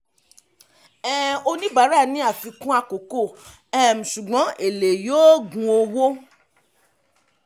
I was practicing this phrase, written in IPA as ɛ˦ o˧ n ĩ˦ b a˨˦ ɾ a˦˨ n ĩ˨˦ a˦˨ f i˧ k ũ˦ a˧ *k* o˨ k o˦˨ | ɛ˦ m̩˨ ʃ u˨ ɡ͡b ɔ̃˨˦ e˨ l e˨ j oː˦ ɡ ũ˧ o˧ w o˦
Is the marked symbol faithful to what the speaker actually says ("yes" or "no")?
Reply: yes